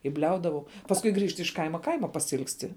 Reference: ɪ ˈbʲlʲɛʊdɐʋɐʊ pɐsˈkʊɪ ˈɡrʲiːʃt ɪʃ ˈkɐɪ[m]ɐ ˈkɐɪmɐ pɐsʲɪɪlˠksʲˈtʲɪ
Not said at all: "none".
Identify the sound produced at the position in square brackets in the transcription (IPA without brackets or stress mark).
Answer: m